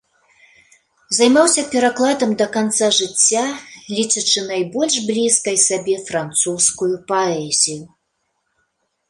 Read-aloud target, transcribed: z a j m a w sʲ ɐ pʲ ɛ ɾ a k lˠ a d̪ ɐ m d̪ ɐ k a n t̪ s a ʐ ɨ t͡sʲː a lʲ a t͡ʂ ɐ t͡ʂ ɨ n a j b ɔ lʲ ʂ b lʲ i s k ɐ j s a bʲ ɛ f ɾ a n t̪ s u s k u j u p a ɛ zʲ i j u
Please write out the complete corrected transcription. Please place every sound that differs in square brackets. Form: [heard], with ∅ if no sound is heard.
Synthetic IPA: z a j m a w sʲ ɐ pʲ ɛ ɾ a k lˠ a d̪ ɐ m d̪ ɐ k a n t̪ s a ʐ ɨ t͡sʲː a lʲ [i] t͡ʂ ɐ t͡ʂ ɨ n a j b ɔ lʲ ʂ b lʲ i s k ɐ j s a bʲ ɛ f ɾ a n t̪ s u s k u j u p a ɛ zʲ i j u

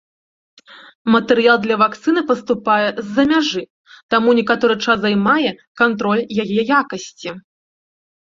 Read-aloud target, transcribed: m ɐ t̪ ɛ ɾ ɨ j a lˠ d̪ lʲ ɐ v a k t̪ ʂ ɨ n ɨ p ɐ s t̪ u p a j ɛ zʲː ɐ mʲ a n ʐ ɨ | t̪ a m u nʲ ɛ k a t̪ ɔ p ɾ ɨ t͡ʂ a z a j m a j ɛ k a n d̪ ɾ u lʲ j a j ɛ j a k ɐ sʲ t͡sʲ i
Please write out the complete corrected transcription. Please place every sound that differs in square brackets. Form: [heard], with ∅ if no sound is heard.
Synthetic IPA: m ɐ t̪ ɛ ɾ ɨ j a lˠ d̪ lʲ ɐ v a k t̪ [s] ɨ n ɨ p ɐ s t̪ u p a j ɛ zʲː ɐ mʲ a [∅] ʐ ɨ | t̪ a m u nʲ ɛ k a t̪ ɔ [∅] ɾ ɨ t͡ʂ a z a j m a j ɛ k a n [t̪] ɾ [ɔ] lʲ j a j ɛ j a k ɐ sʲ t͡sʲ i

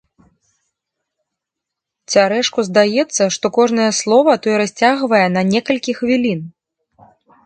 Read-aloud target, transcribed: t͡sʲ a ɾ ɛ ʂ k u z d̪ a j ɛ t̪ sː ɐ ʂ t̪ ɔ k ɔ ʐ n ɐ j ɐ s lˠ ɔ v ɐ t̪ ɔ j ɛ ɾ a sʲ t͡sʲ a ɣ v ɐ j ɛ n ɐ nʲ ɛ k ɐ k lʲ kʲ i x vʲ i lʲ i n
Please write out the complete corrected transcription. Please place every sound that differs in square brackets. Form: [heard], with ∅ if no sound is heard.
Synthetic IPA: t͡sʲ a ɾ ɛ ʂ k u z d̪ a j ɛ t̪ sː ɐ ʂ t̪ ɔ k ɔ ʐ n ɐ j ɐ s lˠ ɔ v ɐ t̪ ɔ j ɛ ɾ a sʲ t͡sʲ a ɣ v ɐ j ɛ n ɐ nʲ ɛ k ɐ [∅] lʲ kʲ i x vʲ i lʲ i n

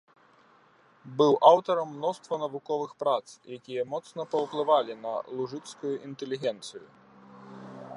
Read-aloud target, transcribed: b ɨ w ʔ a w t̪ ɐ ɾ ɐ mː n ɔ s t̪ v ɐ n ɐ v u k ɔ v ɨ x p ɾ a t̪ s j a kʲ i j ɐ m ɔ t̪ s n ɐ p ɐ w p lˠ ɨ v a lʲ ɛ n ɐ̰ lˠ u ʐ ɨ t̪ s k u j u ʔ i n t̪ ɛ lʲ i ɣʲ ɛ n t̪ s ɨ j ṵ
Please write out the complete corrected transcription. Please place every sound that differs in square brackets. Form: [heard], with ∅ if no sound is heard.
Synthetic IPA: b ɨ w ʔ a w t̪ ɐ ɾ ɐ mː n ɔ s t̪ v ɐ n ɐ v u k ɔ v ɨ x p ɾ a t̪ s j a kʲ i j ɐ m ɔ t̪ s n ɐ p ɐ w p lˠ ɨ v a lʲ [i] n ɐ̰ lˠ u ʐ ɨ t̪ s k u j u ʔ i n t̪ ɛ lʲ i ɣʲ ɛ n t̪ s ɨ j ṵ

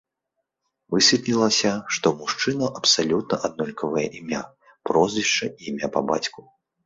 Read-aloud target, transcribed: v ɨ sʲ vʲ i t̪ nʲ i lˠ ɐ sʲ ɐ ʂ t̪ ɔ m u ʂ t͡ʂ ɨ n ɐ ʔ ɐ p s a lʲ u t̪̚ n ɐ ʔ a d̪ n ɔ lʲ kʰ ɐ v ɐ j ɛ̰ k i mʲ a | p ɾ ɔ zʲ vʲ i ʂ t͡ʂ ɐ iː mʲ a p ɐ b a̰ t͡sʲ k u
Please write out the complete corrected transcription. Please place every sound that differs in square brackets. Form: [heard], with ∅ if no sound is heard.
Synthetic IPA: v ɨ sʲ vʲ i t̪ nʲ i lˠ ɐ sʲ ɐ ʂ t̪ ɔ m u ʂ t͡ʂ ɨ n ɐ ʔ ɐ p s a lʲ u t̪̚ n ɐ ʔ a d̪ n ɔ lʲ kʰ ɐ v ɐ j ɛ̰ [ʔ] i mʲ a | p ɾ ɔ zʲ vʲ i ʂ t͡ʂ ɐ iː mʲ a p ɐ b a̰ t͡sʲ k u

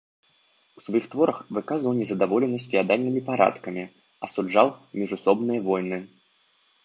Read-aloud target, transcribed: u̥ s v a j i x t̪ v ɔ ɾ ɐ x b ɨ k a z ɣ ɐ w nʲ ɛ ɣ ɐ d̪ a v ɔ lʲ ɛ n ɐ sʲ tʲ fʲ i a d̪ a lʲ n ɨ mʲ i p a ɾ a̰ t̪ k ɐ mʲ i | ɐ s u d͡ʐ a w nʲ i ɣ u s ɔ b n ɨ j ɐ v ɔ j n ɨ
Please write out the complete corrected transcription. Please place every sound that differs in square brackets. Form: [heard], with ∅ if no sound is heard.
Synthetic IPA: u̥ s v a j i x t̪ v ɔ ɾ ɐ x [v] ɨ k a z [v] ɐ w nʲ ɛ [z] ɐ d̪ a v ɔ lʲ ɛ n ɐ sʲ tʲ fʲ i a d̪ a lʲ n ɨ mʲ i p a ɾ a̰ t̪ k ɐ mʲ i | ɐ s u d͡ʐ a w [mʲ] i [ʐ] u s ɔ b n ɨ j ɐ v ɔ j n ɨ

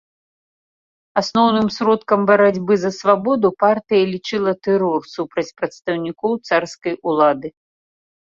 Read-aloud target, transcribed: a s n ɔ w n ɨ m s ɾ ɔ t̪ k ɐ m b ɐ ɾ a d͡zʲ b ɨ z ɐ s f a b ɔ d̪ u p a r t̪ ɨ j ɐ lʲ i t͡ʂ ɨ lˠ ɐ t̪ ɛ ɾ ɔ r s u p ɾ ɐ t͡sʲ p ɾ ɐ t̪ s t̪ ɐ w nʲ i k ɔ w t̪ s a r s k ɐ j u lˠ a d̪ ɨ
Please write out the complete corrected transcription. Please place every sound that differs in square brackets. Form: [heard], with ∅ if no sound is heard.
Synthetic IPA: a s n ɔ w n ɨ m s ɾ ɔ t̪ k ɐ m b ɐ ɾ a d͡zʲ b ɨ z ɐ s [v] a b ɔ d̪ u p a r t̪ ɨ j ɐ lʲ i t͡ʂ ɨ lˠ ɐ t̪ ɛ ɾ ɔ r s u p ɾ ɐ t͡sʲ p ɾ ɐ t̪ s t̪ ɐ w nʲ i k ɔ w t̪ s a r s k ɐ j u lˠ a d̪ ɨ

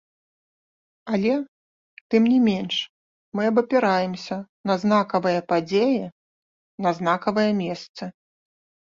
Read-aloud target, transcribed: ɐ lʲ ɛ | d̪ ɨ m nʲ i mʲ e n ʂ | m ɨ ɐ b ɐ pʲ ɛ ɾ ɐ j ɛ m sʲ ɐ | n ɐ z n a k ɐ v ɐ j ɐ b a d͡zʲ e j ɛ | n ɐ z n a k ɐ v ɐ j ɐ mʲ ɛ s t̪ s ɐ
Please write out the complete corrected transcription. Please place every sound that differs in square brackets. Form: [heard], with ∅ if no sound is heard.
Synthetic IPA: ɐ lʲ ɛ | [t̪] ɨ m nʲ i mʲ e n ʂ | m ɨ ɐ b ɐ pʲ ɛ ɾ [a] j ɛ m sʲ ɐ | n ɐ z n a k ɐ v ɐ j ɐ [p] a d͡zʲ e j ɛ | n ɐ z n a k ɐ v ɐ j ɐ mʲ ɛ s t̪ s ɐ

